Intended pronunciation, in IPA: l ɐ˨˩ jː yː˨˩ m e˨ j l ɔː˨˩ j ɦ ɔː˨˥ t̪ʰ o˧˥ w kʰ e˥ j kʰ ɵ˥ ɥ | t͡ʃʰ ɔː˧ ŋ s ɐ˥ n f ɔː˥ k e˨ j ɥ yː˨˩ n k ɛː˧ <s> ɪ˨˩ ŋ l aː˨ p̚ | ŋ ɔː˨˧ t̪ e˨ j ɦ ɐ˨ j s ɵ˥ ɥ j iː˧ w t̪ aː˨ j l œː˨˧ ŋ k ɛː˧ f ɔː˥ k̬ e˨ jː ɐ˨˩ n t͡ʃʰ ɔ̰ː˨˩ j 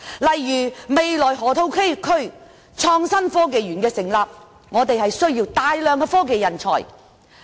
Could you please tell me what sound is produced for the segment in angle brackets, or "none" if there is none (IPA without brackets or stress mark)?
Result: s